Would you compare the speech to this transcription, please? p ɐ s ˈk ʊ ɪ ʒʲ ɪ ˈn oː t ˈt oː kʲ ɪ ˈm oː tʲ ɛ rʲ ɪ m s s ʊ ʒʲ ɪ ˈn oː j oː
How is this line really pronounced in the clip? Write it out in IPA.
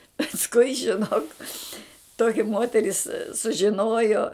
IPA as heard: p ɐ s ˈk ʊ ɪ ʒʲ ɪ ˈn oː k ˈt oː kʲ ɪ ˈm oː tʲ ɛ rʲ ɪ s s ʊ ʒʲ ɪ ˈn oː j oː